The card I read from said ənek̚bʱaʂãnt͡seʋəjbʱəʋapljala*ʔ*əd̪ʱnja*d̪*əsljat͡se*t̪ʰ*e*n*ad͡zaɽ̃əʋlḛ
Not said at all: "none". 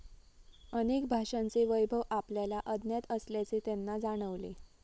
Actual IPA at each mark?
ʔ, t̪, t̪, nː

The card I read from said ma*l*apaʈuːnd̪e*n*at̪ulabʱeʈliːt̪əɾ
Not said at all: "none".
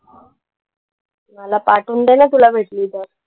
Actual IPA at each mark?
l, n

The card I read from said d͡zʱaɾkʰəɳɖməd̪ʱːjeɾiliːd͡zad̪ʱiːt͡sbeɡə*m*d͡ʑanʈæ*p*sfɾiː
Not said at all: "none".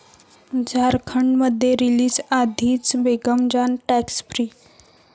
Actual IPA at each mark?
m, k

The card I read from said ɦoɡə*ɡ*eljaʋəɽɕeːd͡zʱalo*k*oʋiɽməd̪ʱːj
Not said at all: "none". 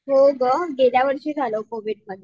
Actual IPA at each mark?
ɡ, k

